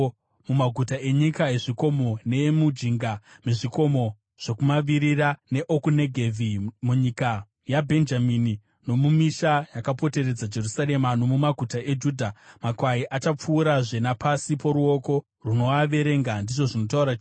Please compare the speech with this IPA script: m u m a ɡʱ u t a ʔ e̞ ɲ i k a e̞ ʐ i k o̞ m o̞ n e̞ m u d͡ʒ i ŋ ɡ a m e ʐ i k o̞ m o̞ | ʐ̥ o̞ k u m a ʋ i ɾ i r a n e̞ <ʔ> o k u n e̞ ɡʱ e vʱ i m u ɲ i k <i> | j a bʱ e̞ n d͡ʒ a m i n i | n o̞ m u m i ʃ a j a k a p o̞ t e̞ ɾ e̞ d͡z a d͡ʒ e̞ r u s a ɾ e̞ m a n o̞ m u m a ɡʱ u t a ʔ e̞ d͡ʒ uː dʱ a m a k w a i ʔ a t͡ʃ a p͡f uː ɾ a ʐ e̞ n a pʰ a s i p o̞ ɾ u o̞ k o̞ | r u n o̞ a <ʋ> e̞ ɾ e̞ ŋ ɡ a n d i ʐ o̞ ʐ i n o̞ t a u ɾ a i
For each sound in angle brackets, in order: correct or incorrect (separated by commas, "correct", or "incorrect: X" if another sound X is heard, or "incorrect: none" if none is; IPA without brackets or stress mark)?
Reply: correct, incorrect: a, correct